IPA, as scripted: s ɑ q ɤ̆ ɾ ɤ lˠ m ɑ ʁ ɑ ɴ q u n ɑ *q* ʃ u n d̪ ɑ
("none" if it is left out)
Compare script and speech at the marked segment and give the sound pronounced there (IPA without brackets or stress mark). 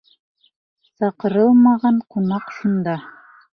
q